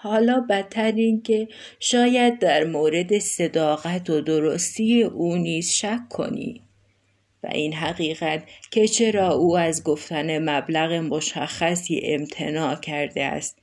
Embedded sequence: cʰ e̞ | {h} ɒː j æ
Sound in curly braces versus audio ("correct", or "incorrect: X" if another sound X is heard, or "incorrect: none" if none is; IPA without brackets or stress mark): incorrect: ʃ